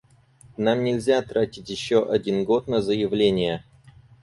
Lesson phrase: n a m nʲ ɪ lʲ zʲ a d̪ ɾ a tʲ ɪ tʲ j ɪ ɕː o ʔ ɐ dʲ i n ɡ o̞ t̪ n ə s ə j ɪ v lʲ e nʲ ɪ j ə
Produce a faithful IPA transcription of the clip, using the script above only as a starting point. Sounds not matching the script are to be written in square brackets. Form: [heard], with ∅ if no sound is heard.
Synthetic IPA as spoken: n a m nʲ ɪ lʲ zʲ a [t̪] ɾ a tʲ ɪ tʲ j ɪ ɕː o ʔ ɐ dʲ i n ɡ o̞ t̪ n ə [z] ə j ɪ v lʲ e nʲ ɪ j ə